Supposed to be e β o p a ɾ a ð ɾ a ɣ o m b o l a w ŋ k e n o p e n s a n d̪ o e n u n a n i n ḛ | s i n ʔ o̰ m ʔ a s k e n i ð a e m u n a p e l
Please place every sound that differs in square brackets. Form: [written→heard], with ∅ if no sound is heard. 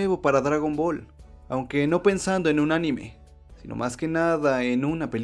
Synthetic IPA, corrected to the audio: e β o p a ɾ a ð ɾ a ɣ o m b o l a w ŋ k e n o p e n s a n d̪ o e n u n a n i [n→m] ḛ | s i n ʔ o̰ m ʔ a s k e n [i→a] ð a e [m→n] u n a p e l